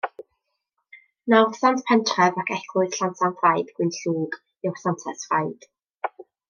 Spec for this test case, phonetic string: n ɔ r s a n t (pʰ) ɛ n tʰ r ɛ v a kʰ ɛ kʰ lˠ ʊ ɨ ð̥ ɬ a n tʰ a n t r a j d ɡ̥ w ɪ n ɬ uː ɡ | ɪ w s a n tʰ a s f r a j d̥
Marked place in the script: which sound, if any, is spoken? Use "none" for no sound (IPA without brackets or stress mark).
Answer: pʰ